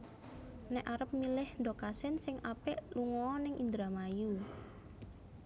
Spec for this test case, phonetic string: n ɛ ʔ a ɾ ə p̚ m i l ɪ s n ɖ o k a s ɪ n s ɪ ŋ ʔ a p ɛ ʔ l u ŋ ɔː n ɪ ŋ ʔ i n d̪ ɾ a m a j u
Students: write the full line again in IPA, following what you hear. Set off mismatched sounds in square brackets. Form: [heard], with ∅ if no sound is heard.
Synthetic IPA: n ɛ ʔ a ɾ ə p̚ m i l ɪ [h] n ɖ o k a s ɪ n s ɪ ŋ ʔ a p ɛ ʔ l u ŋ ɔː n ɪ ŋ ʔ i n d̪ ɾ a m a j u